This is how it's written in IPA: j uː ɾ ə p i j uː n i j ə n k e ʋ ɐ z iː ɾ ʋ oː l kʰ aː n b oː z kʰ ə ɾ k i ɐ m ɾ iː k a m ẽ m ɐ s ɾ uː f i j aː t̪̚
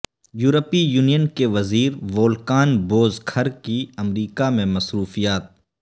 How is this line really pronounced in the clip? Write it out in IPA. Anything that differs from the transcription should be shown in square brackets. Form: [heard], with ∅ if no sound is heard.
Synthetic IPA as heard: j uː ɾ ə p i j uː n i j ə n k e ʋ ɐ z iː ɾ ʋ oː l [k] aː n b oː z kʰ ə ɾ k i ɐ m ɾ iː k a m ẽ m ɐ s ɾ uː f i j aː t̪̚